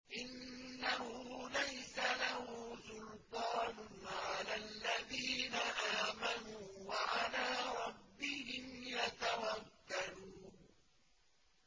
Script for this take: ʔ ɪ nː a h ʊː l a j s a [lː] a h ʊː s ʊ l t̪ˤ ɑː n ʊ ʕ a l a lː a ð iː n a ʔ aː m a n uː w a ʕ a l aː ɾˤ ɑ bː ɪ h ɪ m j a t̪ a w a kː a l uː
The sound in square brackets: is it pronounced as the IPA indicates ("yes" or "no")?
no